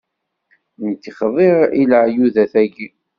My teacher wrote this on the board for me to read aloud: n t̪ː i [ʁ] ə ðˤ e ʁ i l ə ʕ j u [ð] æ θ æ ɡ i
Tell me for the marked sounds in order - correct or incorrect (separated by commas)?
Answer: incorrect, correct